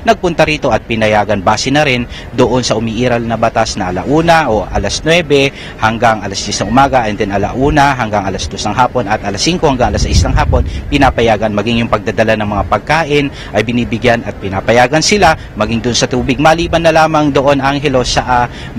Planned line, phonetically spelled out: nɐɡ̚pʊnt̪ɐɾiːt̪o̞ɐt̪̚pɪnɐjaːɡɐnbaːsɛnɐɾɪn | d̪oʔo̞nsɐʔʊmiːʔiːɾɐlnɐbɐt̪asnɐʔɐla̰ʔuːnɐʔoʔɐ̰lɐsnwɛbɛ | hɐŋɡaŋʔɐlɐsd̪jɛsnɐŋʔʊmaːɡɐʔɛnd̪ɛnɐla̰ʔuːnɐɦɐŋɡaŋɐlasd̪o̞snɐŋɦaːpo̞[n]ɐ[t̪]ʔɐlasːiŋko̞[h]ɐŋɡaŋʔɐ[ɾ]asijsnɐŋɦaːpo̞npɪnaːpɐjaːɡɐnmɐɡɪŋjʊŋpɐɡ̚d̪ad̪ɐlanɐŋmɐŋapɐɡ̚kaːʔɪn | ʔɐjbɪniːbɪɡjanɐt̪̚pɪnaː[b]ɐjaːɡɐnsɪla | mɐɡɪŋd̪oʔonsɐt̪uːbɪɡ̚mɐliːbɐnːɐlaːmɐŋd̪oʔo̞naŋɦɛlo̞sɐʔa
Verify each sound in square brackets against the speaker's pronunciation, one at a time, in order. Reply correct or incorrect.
correct, correct, correct, incorrect, incorrect

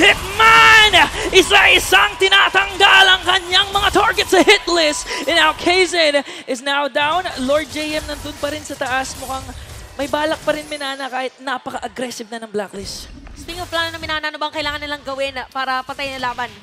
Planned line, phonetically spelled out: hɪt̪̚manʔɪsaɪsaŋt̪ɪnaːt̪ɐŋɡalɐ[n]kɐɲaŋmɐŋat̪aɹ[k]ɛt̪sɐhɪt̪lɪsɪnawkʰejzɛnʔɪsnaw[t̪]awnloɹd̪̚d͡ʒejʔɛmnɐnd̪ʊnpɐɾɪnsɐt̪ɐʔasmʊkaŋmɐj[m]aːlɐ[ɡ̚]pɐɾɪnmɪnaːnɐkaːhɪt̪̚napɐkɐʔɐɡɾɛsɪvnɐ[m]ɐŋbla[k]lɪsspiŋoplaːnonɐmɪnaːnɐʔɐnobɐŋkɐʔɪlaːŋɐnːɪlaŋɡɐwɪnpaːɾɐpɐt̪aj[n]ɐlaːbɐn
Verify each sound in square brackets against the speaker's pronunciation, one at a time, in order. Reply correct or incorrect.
incorrect, incorrect, incorrect, incorrect, incorrect, incorrect, correct, correct

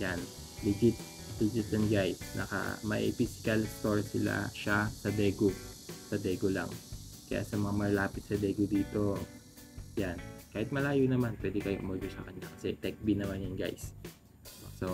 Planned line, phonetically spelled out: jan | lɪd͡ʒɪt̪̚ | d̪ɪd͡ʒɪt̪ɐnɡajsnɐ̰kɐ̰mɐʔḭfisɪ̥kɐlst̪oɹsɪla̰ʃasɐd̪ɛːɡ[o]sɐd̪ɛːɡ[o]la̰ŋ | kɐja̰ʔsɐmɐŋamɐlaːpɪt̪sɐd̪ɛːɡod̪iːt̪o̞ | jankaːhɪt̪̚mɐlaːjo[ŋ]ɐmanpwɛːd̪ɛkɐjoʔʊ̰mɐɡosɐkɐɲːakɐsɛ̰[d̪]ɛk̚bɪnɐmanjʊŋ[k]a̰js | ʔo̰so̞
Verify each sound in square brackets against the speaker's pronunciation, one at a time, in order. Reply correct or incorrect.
correct, correct, incorrect, incorrect, incorrect

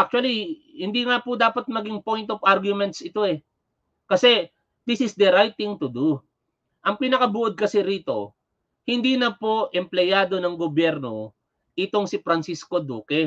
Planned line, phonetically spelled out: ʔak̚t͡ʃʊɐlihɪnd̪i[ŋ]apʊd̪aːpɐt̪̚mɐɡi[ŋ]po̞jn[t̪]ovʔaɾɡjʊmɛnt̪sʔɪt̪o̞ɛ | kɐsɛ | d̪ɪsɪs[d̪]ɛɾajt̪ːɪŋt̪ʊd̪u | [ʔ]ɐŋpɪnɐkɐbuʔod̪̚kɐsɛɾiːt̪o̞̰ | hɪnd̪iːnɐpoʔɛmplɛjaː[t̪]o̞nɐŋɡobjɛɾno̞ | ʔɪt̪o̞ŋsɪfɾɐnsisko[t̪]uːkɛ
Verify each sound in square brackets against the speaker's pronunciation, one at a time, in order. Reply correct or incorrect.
correct, correct, correct, correct, correct, incorrect, incorrect

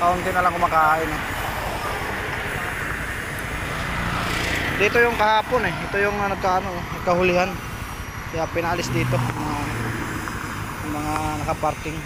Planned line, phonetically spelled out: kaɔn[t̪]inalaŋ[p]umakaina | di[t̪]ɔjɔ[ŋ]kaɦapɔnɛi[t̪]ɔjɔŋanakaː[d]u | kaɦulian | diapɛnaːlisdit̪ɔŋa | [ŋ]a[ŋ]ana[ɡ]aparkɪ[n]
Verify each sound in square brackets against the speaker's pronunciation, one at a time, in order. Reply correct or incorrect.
correct, incorrect, correct, correct, correct, incorrect, incorrect, correct, incorrect, incorrect

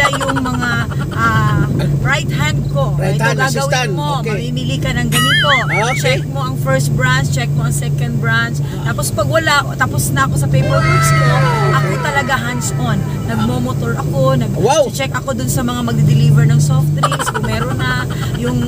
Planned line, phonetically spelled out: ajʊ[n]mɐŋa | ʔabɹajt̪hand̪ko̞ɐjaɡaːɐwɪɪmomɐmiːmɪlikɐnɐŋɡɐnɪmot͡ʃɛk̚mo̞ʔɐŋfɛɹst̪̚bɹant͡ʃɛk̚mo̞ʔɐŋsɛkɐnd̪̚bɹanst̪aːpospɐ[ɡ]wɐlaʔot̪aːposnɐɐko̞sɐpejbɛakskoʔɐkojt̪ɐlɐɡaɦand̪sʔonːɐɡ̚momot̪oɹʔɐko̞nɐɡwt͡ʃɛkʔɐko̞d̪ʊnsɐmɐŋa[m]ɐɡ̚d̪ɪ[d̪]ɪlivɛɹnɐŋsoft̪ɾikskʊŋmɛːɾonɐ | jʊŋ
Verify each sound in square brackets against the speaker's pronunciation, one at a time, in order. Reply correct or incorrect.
incorrect, correct, correct, correct

